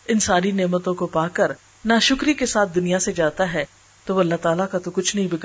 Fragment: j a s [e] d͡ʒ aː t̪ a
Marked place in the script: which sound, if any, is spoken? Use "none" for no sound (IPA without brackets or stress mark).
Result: e